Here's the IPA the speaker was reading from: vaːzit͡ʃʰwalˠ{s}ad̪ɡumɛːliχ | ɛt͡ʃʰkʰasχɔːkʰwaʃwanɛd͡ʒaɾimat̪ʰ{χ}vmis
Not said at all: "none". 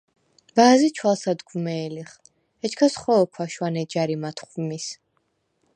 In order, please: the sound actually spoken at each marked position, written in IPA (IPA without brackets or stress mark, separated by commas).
s, χ